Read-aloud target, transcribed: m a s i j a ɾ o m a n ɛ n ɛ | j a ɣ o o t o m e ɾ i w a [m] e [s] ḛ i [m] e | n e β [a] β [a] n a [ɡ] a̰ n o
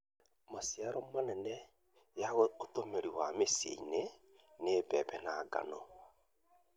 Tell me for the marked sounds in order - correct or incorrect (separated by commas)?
correct, correct, incorrect, incorrect, incorrect, correct